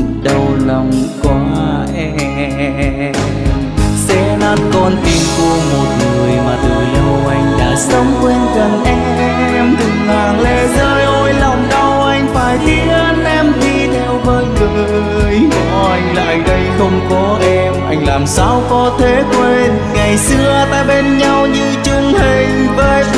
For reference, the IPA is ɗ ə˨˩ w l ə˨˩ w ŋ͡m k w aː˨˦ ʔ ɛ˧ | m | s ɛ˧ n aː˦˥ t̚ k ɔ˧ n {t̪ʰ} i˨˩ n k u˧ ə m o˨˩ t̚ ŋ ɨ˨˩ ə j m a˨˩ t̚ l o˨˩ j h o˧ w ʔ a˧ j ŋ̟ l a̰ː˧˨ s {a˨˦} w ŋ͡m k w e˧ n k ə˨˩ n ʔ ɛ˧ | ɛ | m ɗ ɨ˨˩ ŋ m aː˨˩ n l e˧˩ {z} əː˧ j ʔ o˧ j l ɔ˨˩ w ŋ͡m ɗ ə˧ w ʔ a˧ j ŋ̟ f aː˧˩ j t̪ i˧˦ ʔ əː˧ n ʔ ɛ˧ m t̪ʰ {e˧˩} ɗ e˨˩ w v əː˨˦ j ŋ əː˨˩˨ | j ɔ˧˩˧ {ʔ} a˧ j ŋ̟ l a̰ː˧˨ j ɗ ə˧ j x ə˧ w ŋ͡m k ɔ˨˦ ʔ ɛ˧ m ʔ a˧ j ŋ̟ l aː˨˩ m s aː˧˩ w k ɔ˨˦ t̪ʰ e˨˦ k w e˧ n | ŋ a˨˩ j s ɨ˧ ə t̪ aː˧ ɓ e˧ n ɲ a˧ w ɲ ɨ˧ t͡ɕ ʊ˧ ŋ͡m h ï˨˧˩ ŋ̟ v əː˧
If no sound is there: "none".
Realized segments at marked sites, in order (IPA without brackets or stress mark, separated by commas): t̪, ə˨˦, z, i˧˩, ʔ